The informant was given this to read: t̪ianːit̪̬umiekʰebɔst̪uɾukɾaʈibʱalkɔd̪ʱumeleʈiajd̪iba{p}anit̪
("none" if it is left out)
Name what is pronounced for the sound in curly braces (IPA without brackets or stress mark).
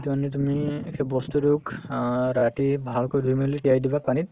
p